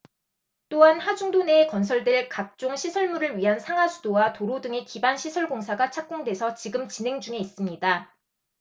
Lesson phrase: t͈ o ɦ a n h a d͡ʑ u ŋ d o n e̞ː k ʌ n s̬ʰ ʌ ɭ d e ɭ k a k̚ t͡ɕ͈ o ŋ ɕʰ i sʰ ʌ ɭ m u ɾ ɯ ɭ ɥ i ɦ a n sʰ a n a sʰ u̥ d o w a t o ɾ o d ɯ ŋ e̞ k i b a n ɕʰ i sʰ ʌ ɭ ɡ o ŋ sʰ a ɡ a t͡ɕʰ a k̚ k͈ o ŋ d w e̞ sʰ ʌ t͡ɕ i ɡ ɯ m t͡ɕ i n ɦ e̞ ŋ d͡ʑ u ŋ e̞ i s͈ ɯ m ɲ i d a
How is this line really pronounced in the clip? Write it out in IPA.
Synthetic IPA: t͈ o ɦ a n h a d͡ʑ u ŋ d o n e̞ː k ʌ n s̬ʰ ʌ ɭ d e ɭ k a k̚ t͡ɕ͈ o ŋ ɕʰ i sʰ ʌ ɭ m u ɾ ɯ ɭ ɥ i ɦ a n sʰ a ŋ a sʰ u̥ d o w a t o ɾ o d ɯ ŋ e̞ k i b a n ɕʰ i sʰ ʌ ɭ ɡ o ŋ sʰ a ɡ a t͡ɕʰ a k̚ k͈ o ŋ d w e̞ sʰ ʌ t͡ɕ i ɡ ɯ m t͡ɕ i n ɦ e̞ ŋ d͡ʑ u ŋ e̞ i s͈ ɯ m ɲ i d a